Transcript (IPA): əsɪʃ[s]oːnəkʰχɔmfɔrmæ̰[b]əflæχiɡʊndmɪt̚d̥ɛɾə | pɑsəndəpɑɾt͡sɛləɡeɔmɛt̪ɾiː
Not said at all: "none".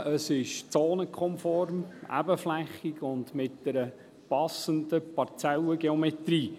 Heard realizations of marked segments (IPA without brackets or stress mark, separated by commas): t͡s, b